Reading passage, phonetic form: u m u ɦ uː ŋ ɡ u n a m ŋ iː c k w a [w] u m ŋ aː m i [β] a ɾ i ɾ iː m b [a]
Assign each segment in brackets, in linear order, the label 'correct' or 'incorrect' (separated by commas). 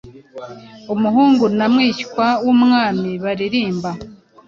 correct, correct, correct